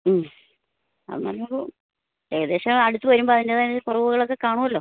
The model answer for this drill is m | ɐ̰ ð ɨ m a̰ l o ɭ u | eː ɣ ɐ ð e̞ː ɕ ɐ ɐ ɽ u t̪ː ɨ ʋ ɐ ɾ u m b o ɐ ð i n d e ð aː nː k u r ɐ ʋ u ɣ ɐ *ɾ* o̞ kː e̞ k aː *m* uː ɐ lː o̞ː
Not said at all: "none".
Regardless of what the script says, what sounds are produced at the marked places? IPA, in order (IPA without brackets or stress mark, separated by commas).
ɭ, ɳ